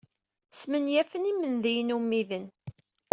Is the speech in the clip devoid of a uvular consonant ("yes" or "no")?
yes